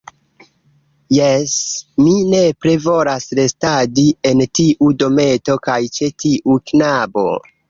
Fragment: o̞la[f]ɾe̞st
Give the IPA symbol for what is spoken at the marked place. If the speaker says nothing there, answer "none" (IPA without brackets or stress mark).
s